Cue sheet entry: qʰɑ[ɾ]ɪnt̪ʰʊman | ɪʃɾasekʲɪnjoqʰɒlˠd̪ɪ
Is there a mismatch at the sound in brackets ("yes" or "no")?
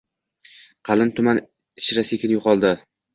yes